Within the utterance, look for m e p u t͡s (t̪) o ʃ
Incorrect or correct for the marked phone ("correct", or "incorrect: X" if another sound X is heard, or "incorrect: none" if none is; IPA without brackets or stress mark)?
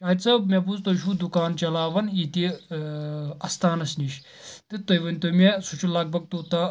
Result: correct